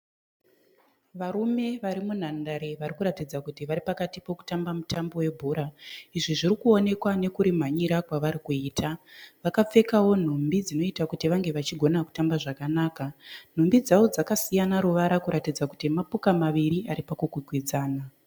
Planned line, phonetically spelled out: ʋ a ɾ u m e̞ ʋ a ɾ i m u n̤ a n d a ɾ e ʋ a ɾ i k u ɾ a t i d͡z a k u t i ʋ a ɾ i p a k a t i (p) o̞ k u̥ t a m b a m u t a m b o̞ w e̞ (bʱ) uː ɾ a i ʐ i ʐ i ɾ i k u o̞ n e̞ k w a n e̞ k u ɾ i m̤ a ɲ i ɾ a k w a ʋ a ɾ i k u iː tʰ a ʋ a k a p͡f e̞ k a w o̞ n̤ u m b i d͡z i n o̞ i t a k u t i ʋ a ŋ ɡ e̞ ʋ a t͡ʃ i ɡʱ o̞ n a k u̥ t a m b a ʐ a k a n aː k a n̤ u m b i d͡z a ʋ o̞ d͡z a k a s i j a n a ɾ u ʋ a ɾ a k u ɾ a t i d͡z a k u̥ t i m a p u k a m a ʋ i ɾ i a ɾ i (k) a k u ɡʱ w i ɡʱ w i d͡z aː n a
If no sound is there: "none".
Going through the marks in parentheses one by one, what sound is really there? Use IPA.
p, bʱ, p

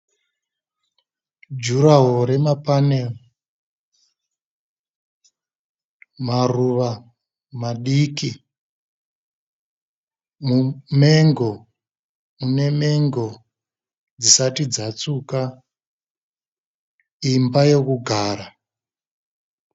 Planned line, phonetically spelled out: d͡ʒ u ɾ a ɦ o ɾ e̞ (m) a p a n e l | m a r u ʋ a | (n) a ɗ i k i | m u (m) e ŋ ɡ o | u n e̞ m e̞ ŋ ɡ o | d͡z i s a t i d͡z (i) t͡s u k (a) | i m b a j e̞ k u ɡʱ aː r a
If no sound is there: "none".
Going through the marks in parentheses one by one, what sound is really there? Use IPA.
m, m, m, a, a

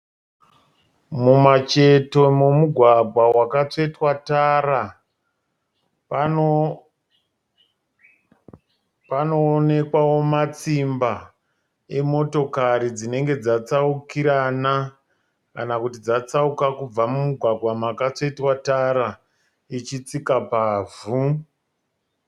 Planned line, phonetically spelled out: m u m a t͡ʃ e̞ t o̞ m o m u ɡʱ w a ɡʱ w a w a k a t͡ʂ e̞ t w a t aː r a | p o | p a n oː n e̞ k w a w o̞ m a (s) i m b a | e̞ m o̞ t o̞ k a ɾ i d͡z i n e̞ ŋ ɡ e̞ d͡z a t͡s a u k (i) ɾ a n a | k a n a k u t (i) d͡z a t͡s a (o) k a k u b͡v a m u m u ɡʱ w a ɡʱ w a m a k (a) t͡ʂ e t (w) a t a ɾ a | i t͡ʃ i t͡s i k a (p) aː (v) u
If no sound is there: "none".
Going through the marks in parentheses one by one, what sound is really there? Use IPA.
t͡s, i, i, u, a, w, p, v

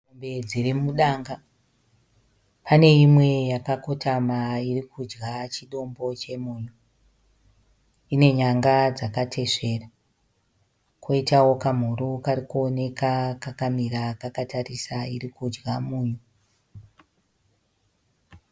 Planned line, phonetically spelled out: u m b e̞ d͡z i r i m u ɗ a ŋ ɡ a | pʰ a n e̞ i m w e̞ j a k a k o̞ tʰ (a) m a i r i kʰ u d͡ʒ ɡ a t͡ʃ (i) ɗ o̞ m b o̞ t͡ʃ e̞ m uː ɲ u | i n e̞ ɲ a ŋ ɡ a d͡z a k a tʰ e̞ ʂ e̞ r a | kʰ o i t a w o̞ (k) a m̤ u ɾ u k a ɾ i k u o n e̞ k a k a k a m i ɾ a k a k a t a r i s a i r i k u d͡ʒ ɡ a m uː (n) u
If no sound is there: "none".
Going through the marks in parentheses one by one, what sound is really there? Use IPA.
a, i, k, ɲ

